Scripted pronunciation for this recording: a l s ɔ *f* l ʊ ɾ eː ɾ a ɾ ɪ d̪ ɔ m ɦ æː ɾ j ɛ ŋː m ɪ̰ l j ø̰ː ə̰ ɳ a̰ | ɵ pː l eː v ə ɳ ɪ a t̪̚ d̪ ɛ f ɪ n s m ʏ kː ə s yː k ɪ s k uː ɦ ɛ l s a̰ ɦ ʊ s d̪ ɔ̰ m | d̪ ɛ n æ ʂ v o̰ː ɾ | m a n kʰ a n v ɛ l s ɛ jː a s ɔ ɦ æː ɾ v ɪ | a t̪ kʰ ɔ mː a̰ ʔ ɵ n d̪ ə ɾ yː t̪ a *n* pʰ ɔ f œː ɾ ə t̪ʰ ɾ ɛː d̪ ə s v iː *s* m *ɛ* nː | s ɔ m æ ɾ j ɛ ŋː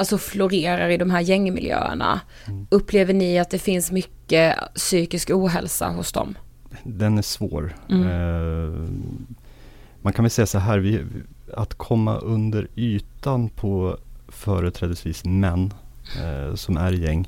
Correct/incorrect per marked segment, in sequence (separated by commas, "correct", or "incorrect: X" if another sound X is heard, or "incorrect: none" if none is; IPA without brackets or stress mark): correct, correct, correct, correct